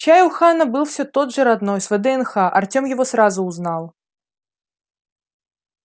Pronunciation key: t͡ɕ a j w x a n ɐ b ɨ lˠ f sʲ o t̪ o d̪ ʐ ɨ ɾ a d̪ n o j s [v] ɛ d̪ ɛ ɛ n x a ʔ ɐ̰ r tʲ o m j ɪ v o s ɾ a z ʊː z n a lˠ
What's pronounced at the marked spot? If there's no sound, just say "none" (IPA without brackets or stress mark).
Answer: v